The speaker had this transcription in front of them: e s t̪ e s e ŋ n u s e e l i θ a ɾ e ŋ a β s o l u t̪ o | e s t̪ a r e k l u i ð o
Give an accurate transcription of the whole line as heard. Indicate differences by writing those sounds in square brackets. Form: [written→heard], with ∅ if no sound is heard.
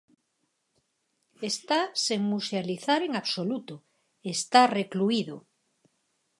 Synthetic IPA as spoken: e s t̪ [e→a] s e ŋ [n→m] u s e [e→a] l i θ a ɾ e ŋ a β s o l u t̪ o | e s t̪ a r e k l u i ð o